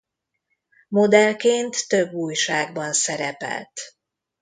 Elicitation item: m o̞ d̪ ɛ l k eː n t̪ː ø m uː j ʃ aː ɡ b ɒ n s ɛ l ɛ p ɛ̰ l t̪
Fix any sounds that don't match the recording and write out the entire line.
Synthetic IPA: m o̞ d̪ ɛ l k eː n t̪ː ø b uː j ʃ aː ɡ b ɒ n s ɛ ɾ ɛ p ɛ̰ l t̪